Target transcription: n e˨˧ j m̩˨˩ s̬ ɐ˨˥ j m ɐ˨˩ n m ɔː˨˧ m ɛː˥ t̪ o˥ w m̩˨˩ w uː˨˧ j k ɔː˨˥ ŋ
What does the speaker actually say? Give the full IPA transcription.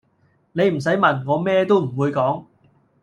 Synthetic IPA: n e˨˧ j m̩˨˩ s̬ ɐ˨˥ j m ɐ˨˩ n ŋ ɔː˨˧ m ɛː˥ t̪ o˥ w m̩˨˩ w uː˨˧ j k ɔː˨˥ ŋ

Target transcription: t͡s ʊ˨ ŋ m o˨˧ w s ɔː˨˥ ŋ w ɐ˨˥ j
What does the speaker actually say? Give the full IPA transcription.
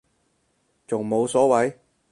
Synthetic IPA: t͡s ʊ˨ ŋ m o˨˧ w s ɔː˨˥ w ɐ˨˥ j

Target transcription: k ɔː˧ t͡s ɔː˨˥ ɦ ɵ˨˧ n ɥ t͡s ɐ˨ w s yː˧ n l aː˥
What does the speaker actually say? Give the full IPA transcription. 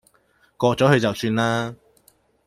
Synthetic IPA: k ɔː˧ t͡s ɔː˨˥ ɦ ɵ˨˧ ɥ t͡s ɐ˨ w s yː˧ n l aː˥

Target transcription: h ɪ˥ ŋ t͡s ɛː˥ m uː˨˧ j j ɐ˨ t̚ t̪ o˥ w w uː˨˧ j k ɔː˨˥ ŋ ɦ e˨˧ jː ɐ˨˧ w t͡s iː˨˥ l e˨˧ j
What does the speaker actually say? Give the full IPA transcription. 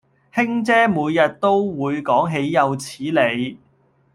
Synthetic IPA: h ɪ˥ ŋ t͡s ɛː˥ m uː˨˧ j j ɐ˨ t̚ t̪ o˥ w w uː˨˧ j k ɔː˨˥ ŋ ɦ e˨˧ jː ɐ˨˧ w t͡sʰ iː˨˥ l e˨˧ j

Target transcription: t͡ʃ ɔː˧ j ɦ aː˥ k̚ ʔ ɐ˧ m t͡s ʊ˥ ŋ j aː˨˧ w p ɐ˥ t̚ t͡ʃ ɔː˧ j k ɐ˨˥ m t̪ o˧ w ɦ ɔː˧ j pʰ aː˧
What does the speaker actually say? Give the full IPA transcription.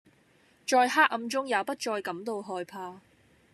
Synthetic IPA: t͡ʃ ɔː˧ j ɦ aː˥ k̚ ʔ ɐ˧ m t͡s ʊ˥ ŋ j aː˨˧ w p ɐ˥ t̚ t͡ʃ ɔː˧ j k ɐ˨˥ m t̪ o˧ w ɦ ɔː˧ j pʰ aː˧

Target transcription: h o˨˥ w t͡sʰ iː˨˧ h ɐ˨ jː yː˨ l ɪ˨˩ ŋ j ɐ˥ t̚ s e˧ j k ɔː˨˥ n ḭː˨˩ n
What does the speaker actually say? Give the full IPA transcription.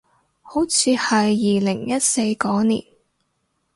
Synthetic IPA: h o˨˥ w t͡sʰ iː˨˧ h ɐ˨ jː iː˨ l ɪ˨˩ ŋ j ɐ˥ t̚ s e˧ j k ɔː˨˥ n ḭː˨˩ n

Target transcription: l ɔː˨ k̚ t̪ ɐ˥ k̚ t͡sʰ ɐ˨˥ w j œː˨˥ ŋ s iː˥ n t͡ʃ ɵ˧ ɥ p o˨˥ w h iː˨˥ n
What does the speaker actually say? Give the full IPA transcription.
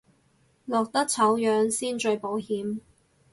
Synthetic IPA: l ɔː˨ k̚ t̪ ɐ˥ k̚ t͡sʰ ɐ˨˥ w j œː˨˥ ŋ s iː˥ n t͡ʃ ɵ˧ ɥ p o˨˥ w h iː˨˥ m

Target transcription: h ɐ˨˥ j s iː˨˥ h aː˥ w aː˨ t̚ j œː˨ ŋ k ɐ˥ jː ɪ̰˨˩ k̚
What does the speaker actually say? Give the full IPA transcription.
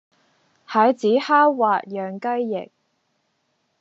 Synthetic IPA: h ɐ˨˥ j t͡s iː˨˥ h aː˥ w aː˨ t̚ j œː˨ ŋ k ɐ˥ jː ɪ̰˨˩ k̚

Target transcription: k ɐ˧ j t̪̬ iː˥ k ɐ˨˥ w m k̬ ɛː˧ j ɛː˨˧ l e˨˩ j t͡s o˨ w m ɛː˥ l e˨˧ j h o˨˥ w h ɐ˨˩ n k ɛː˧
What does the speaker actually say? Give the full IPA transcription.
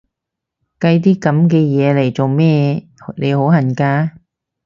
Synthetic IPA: k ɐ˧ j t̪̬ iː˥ k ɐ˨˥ m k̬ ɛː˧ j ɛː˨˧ l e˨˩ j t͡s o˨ w m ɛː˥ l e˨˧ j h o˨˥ w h ɐ˨˩ n k aː˧

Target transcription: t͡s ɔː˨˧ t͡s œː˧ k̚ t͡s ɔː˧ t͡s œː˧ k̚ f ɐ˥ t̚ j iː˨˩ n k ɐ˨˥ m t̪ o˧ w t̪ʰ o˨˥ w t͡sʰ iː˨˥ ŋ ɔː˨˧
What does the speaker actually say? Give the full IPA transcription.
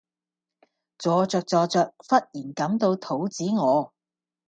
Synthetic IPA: t͡s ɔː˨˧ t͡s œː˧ k̚ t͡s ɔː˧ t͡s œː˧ k̚ f ɐ˥ t̚ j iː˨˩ n k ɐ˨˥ m t̪ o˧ w t̪ʰ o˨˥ w t͡s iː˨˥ ŋ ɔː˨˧

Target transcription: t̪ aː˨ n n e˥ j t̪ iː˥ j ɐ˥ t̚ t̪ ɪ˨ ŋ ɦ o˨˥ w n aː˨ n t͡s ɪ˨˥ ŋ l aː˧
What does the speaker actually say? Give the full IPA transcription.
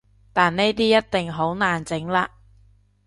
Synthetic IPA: t̪ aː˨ n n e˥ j t̪ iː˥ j ɐ˥ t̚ t̪ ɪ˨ ŋ ɦ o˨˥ w n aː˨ n t͡s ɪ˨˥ ŋ l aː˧

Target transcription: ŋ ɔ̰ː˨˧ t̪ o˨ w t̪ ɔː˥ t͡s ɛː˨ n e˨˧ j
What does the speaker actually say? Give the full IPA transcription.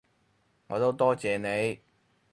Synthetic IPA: ŋ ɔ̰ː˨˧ t̪ o˥ w t̪ ɔː˥ t͡s ɛː˨ n e˨˧ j

